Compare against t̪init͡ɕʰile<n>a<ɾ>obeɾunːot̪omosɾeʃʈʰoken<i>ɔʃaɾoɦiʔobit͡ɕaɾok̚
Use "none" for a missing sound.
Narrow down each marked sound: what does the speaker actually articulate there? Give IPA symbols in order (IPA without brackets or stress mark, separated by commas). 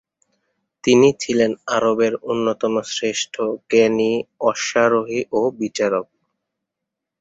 n, ɾ, i